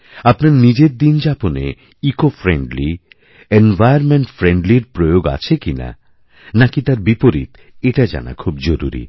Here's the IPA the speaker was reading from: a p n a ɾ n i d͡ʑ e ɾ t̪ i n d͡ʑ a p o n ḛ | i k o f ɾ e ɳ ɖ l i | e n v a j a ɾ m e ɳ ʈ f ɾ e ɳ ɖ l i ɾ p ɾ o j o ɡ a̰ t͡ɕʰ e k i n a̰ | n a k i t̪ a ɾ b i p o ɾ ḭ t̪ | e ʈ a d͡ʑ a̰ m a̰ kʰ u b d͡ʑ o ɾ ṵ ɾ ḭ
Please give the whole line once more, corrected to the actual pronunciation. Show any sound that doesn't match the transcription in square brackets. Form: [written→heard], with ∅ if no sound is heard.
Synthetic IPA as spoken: a p n a ɾ n i d͡ʑ e ɾ [t̪→d̪] i n d͡ʑ a p o n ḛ | i k o f ɾ e ɳ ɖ l i | e n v a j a ɾ m e ɳ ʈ f ɾ e ɳ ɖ l i ɾ p ɾ o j o ɡ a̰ t͡ɕʰ e k i n a̰ | n a k i t̪ a ɾ b i p o ɾ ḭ t̪ | e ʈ a d͡ʑ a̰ [m→n] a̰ kʰ u b d͡ʑ o ɾ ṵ ɾ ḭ